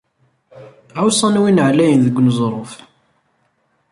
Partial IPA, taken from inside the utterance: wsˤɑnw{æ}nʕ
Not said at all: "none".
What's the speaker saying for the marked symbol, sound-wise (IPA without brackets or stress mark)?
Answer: i